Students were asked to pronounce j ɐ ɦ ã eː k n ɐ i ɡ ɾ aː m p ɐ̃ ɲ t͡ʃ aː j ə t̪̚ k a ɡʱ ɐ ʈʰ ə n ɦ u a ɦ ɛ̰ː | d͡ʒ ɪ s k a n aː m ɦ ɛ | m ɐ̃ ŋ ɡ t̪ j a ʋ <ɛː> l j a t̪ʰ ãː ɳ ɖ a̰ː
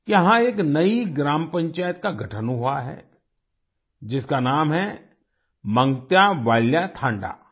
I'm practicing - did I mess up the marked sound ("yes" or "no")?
yes